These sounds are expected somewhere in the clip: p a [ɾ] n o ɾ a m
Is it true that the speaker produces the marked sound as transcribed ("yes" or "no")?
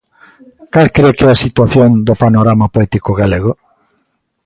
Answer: no